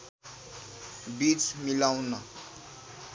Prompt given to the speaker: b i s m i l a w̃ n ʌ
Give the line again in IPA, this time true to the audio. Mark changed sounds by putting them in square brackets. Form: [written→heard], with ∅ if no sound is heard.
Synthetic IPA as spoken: b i [s→t͡s] m i l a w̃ n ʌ